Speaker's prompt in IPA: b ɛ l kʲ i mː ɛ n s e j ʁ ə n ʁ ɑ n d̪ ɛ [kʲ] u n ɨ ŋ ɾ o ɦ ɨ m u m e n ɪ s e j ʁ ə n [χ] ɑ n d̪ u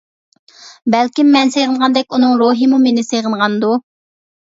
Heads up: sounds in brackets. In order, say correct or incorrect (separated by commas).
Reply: correct, incorrect